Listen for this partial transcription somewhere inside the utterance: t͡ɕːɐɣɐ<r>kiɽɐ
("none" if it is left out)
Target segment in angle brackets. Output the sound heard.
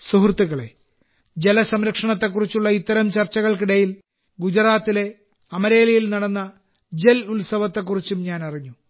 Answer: ɭ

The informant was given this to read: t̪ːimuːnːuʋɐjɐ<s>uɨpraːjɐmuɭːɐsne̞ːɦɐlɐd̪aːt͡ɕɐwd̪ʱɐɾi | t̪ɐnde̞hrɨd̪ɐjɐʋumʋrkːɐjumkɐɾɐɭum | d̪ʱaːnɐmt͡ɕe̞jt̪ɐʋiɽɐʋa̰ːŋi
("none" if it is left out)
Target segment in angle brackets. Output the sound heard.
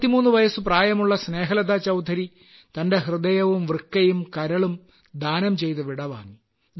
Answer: s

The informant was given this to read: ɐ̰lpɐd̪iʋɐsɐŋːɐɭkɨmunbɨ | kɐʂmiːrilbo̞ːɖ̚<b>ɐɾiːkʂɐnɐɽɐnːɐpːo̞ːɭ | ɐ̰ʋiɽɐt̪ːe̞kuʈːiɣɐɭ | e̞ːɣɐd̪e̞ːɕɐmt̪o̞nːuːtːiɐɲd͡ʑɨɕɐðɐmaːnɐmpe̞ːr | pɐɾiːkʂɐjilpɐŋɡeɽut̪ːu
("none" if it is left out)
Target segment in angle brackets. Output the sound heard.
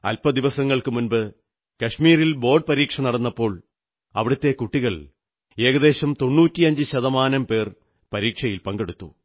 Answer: p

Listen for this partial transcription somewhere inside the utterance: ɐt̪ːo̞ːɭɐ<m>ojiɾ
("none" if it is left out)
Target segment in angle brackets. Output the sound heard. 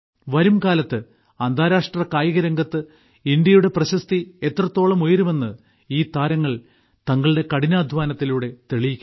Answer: m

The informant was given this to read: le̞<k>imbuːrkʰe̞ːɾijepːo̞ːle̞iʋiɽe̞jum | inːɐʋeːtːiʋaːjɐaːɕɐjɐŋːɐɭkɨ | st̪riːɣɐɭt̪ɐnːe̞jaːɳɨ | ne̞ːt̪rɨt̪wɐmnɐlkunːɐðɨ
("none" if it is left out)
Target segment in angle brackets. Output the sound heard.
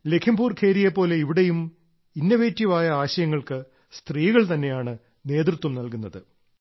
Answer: kʰ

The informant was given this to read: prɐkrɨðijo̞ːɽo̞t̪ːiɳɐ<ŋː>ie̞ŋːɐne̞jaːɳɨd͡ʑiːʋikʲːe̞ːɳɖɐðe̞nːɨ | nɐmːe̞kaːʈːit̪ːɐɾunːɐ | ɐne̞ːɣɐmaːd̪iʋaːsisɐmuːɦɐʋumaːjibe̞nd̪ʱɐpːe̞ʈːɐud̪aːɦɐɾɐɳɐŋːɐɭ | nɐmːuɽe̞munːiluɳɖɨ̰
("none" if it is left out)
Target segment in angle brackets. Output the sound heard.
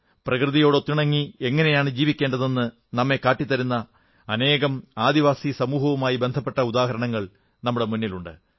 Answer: ŋː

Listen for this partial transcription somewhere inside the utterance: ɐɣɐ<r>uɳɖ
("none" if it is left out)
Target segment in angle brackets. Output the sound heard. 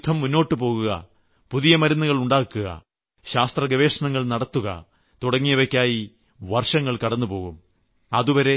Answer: ɭ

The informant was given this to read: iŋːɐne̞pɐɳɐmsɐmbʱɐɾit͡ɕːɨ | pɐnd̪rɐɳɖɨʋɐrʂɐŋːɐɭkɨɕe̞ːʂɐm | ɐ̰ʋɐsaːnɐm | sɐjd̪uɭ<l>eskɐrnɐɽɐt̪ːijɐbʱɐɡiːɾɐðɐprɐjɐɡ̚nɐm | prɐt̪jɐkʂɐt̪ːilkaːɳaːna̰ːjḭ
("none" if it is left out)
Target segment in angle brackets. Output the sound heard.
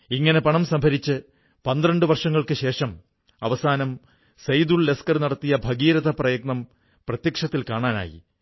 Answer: l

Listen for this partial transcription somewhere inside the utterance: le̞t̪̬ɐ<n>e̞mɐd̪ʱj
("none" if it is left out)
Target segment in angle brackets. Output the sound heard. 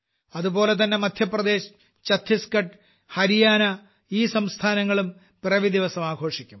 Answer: nː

